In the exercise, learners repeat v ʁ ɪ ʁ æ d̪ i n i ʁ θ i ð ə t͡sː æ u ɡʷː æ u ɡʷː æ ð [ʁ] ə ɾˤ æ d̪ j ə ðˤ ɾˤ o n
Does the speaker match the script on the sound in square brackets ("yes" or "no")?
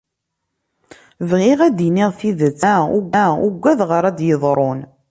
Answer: yes